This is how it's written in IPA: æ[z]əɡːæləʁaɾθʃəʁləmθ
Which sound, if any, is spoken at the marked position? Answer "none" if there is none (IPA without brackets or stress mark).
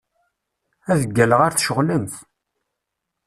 ð